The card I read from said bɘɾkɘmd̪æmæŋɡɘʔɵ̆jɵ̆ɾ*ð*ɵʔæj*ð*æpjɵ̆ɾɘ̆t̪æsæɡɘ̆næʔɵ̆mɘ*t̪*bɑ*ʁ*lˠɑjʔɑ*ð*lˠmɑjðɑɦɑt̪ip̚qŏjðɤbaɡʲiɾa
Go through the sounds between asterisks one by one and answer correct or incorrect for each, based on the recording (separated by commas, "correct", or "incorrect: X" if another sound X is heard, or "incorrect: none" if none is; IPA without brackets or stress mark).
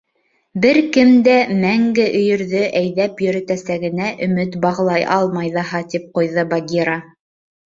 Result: correct, correct, correct, correct, incorrect: none